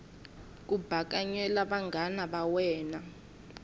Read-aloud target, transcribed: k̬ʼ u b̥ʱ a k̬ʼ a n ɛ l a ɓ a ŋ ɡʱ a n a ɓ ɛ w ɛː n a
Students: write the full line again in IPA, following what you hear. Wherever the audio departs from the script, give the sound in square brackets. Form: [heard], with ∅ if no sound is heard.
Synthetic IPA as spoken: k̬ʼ u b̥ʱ a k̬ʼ a [ɲ] ɛ l a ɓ a ŋ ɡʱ a n a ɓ [a] w ɛː n a